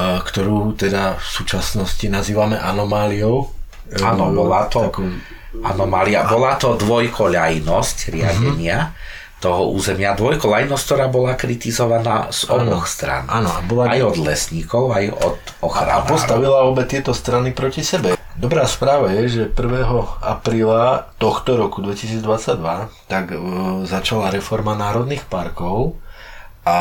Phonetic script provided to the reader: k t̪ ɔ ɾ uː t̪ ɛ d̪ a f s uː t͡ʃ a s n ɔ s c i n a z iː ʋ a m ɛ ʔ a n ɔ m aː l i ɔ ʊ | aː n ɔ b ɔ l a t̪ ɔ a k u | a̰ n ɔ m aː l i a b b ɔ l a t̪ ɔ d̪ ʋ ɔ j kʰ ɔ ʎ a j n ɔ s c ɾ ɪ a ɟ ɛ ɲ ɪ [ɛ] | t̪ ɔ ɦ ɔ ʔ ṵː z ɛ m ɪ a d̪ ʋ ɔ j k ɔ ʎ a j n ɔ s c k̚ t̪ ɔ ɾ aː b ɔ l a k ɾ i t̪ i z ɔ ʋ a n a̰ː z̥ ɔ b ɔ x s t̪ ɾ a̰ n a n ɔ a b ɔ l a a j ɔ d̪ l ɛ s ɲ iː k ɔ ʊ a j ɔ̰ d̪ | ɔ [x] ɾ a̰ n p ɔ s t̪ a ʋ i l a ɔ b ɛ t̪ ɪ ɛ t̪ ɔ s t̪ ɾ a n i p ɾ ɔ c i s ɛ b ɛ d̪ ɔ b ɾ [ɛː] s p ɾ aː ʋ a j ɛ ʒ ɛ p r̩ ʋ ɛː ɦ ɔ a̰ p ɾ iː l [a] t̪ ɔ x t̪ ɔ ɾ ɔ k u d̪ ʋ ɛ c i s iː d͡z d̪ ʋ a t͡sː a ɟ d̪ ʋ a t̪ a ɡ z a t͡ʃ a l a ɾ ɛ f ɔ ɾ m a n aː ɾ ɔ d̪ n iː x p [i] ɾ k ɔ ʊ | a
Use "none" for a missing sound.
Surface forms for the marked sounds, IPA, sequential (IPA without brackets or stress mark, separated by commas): a, x, aː, a, a